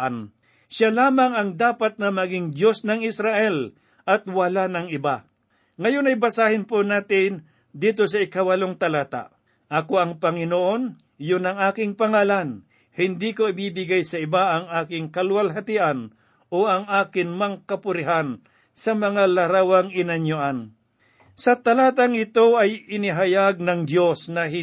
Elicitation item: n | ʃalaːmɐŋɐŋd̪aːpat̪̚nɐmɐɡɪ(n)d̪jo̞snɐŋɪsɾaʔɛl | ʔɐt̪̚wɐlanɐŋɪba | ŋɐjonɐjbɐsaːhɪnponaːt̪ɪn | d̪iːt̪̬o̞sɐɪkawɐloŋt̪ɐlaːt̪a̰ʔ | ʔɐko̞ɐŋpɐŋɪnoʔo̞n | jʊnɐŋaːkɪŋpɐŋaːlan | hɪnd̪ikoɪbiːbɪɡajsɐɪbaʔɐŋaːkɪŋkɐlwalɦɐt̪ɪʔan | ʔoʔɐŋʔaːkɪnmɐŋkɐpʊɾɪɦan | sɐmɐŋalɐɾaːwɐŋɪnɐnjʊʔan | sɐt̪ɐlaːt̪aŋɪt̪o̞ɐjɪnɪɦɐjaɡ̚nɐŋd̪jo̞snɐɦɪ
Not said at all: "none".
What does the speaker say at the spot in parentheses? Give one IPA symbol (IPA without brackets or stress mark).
ŋ